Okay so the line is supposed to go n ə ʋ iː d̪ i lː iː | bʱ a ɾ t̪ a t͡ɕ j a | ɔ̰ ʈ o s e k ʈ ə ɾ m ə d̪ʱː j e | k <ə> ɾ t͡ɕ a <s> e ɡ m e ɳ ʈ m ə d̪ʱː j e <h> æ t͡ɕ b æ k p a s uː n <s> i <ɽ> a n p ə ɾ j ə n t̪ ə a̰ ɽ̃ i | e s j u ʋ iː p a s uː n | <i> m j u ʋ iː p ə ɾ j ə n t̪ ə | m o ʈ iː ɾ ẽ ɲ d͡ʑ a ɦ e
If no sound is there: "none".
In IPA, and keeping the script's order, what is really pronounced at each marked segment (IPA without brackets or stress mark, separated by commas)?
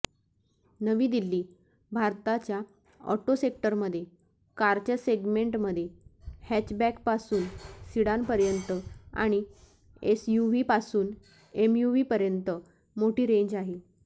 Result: a, s, h, s, ɽ, e